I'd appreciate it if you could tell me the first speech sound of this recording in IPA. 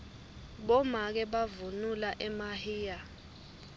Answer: ɓ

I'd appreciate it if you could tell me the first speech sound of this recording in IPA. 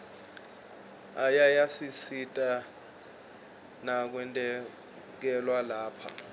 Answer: a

